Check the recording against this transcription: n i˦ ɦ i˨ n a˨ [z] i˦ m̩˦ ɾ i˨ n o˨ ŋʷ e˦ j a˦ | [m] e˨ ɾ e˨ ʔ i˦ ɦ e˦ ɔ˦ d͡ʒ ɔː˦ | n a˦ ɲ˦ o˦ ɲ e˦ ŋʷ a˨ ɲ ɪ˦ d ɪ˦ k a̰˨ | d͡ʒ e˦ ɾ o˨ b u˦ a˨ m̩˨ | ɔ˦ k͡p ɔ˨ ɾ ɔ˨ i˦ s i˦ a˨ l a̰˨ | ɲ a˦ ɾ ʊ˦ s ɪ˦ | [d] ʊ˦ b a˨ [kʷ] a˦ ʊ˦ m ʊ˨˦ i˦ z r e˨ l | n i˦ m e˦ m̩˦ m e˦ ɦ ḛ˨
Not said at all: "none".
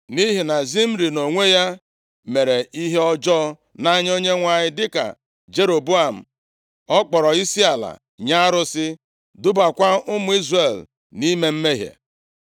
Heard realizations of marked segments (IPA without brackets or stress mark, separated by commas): z, m, d, kʷ